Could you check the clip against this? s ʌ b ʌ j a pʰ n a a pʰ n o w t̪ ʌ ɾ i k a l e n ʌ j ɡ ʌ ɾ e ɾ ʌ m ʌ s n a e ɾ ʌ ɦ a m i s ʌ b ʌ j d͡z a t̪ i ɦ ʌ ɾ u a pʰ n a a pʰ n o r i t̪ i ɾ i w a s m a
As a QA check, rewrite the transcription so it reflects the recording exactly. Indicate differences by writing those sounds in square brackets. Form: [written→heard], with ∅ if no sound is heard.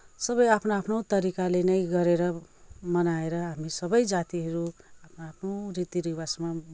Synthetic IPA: s ʌ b ʌ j a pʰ n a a pʰ n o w t̪ ʌ ɾ i k a l e n ʌ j ɡ ʌ ɾ e ɾ ʌ m ʌ [s→∅] n a e ɾ ʌ ɦ a m i s ʌ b ʌ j d͡z a t̪ i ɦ ʌ ɾ u a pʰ n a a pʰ n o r i t̪ i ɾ i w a s m a